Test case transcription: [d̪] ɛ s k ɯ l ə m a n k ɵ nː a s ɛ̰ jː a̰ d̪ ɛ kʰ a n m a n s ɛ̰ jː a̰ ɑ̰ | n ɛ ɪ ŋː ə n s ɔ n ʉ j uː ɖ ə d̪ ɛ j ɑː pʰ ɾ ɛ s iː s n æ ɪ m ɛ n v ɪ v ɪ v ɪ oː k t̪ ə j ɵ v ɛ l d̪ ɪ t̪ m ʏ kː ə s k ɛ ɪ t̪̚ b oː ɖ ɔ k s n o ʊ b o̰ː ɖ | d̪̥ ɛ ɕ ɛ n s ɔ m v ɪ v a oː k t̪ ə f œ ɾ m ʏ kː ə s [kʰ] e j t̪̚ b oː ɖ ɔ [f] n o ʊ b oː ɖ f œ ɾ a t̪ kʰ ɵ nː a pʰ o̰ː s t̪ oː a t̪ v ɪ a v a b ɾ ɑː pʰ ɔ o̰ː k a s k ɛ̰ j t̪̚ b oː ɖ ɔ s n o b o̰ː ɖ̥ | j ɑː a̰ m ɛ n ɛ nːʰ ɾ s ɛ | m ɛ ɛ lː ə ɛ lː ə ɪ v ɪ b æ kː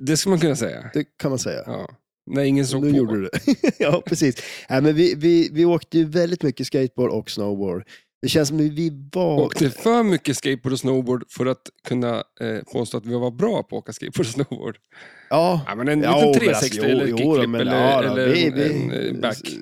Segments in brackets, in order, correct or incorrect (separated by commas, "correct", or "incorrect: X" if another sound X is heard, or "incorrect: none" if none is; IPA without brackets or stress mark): correct, incorrect: k, incorrect: s